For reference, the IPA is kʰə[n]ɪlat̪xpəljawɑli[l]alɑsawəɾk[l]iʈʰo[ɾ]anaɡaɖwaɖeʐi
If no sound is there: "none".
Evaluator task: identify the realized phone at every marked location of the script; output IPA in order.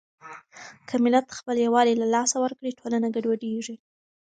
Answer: m, l, ɽ, l

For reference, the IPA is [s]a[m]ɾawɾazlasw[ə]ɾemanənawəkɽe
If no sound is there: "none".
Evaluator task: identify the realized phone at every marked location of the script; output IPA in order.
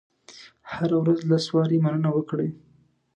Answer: h, none, ɑ

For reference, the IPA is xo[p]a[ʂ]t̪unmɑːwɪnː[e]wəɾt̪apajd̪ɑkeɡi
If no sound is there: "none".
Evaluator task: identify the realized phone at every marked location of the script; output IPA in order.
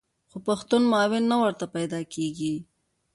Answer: p, x, a

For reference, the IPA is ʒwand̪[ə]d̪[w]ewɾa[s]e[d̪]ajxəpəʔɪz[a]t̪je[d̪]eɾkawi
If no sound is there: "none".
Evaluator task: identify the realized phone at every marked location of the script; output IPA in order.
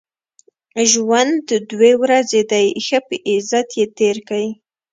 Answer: ə, w, z, d̪, a, t̪

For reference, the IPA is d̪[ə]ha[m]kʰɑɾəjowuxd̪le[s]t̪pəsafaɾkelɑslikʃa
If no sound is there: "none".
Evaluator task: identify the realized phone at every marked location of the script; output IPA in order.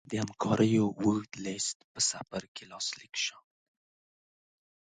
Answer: ə, m, s

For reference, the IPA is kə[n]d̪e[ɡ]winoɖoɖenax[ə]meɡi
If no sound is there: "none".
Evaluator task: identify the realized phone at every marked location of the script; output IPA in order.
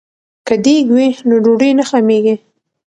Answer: none, ɡ, a

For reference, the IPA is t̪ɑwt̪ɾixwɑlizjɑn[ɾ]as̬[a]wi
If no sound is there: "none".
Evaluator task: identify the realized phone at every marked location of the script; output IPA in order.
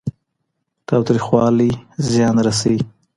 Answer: ɾ, a

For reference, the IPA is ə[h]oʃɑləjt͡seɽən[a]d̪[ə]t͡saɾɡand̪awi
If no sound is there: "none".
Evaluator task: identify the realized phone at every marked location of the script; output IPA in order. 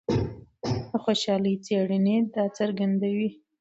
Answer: x, e, ɑ

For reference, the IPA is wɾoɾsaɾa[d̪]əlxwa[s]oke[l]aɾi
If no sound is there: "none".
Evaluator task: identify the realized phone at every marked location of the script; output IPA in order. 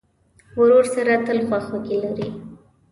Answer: t̪, x, l

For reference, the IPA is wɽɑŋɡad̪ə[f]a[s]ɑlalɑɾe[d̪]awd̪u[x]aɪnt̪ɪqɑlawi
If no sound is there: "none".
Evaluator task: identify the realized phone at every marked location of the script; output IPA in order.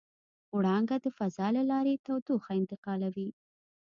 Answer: f, z, t̪, x

